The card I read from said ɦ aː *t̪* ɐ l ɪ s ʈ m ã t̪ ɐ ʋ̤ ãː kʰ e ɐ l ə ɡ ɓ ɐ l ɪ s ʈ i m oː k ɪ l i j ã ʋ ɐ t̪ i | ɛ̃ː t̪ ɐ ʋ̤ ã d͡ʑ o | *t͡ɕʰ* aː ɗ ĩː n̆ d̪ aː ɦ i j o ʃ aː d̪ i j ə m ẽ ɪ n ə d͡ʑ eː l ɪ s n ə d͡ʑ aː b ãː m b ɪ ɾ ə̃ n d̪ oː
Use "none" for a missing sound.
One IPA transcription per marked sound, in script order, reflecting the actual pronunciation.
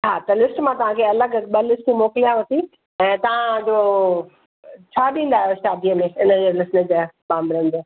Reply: t̪, t͡ɕʰ

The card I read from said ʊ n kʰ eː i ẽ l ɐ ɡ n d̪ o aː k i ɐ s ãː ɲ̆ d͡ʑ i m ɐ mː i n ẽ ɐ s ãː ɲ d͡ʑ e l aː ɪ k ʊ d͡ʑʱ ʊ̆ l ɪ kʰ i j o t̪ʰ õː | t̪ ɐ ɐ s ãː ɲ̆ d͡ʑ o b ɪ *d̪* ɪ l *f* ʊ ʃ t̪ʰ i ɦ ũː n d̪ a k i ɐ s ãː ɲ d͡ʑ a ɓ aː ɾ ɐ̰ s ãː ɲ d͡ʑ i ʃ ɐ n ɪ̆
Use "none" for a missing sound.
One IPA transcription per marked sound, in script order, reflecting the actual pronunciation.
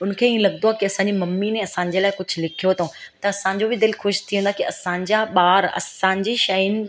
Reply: d̪, x

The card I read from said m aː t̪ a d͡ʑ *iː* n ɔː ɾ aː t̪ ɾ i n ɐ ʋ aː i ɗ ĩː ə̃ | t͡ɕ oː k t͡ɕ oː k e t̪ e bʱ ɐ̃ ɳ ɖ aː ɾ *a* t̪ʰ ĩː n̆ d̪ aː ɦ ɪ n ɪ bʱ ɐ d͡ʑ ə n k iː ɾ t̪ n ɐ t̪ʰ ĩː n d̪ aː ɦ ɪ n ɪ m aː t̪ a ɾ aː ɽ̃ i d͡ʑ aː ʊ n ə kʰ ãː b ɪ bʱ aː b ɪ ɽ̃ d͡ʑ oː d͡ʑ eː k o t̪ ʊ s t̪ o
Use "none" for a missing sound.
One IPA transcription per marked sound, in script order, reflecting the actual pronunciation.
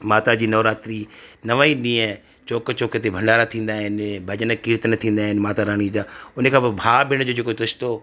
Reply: iː, a

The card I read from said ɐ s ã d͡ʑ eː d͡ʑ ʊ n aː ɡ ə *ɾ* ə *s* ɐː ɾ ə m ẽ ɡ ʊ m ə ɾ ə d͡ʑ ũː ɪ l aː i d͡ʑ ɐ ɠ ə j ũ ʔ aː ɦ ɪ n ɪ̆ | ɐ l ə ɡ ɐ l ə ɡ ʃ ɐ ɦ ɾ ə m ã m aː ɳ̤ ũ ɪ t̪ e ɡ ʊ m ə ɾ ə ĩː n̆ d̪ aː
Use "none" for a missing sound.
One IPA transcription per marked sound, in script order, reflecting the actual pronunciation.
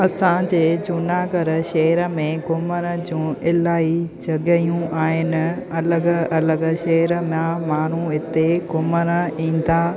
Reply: ɾ, ʃ

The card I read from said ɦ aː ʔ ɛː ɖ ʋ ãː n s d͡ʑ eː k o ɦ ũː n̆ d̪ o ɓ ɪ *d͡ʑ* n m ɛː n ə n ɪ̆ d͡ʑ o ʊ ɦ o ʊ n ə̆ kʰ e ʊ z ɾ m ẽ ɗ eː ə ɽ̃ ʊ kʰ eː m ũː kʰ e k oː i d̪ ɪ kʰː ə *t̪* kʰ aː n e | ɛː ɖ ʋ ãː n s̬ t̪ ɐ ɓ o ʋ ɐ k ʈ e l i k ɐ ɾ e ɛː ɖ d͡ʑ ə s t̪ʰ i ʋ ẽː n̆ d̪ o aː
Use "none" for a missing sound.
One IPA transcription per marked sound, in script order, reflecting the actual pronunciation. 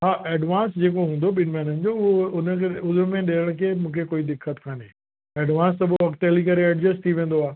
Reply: none, t̪

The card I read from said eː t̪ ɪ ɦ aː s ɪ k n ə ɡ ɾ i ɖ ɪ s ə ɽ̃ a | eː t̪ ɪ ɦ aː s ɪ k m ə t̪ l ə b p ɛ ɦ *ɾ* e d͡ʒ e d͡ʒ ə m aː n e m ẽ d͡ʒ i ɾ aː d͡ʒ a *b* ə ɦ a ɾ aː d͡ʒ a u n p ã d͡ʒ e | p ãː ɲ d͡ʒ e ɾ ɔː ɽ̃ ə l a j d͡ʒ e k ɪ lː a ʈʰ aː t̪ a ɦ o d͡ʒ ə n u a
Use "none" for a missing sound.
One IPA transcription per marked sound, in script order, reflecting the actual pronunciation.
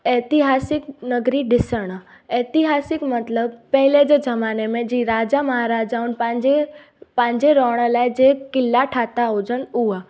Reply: l, m

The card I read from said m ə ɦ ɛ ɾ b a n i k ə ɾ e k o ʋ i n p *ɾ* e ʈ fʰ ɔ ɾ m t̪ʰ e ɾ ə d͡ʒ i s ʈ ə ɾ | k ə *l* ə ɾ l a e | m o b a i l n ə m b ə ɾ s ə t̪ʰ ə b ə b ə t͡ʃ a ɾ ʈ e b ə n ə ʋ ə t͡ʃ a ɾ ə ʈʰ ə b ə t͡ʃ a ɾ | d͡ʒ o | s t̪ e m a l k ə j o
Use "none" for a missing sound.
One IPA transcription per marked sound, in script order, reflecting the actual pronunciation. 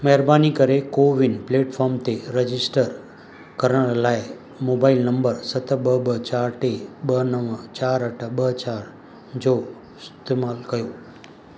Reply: l, ɾ

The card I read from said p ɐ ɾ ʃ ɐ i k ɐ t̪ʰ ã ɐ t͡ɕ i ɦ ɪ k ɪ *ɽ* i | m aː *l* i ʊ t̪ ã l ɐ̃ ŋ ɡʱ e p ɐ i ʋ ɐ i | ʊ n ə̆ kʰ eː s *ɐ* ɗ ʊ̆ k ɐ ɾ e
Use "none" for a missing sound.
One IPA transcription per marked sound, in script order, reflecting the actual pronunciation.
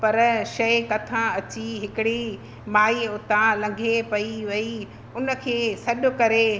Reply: ɽ, none, ɐ

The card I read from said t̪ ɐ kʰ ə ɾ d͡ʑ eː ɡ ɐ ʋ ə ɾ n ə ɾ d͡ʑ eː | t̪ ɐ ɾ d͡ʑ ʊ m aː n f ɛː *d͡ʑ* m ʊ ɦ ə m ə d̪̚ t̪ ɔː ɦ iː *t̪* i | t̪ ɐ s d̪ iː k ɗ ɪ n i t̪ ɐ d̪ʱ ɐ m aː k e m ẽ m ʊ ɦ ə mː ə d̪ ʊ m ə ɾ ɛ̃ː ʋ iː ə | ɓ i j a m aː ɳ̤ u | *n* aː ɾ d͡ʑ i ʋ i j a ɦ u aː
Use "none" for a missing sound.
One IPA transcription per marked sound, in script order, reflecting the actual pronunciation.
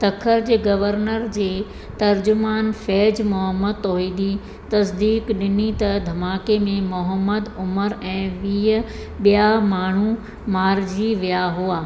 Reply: d͡ʑ, d̪, m

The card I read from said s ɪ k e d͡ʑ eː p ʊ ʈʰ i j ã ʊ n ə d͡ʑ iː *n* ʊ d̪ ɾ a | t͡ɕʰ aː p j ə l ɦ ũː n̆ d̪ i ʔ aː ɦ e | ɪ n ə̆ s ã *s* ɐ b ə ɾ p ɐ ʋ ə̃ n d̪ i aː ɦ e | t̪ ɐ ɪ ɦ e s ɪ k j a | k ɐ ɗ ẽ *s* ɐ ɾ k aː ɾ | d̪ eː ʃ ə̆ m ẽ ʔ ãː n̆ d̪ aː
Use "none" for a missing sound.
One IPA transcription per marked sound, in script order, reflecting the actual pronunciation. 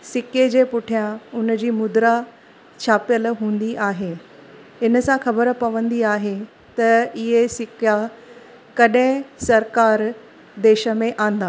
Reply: m, x, s

